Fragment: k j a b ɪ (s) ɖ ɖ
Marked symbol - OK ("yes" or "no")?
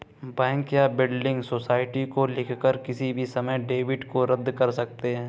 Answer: no